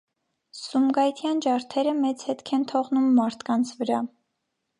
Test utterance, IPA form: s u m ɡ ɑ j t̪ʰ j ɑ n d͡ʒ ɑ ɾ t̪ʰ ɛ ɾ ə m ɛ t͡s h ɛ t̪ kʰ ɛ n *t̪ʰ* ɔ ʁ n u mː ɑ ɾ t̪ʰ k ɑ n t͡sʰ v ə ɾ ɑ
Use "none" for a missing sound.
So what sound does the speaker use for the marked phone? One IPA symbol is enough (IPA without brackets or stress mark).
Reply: t̪ʰ